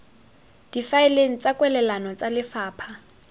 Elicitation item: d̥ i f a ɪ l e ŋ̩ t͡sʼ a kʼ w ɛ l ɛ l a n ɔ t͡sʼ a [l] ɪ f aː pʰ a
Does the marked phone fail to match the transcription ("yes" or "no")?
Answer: no